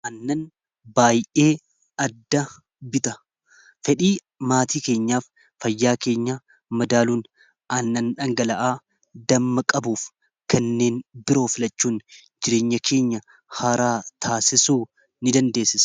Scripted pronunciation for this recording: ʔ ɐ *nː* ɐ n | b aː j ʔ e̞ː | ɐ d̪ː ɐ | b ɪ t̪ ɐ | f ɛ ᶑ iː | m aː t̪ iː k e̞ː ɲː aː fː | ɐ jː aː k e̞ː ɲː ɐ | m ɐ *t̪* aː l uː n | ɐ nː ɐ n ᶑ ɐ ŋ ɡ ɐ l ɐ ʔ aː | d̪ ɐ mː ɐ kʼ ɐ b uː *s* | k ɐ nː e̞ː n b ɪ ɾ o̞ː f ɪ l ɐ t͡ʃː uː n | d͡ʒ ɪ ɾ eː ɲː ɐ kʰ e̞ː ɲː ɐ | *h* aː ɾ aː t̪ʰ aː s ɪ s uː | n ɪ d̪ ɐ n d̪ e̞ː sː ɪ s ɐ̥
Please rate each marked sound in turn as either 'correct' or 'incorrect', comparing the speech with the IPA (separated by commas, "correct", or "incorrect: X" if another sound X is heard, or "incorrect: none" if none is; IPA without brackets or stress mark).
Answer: correct, incorrect: d̪, incorrect: f, correct